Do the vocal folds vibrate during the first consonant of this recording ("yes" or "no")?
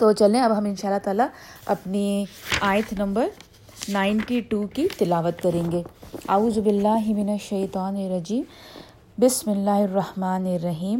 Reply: no